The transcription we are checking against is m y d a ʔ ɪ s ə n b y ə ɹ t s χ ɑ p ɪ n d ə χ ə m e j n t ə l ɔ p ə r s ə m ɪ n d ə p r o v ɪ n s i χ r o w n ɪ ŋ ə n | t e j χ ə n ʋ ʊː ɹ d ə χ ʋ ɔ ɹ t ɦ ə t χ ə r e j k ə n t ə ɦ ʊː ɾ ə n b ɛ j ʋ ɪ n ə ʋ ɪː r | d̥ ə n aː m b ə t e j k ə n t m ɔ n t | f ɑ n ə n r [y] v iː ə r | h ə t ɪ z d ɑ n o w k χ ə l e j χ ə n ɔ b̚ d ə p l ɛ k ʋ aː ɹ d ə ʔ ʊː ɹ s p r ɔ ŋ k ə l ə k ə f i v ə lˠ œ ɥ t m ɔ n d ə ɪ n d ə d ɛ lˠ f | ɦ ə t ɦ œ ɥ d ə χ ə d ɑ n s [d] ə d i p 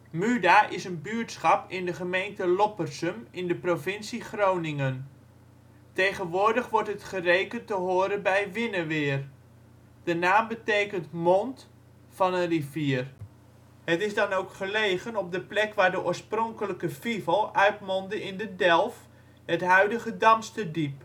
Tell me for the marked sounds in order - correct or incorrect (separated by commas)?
incorrect, incorrect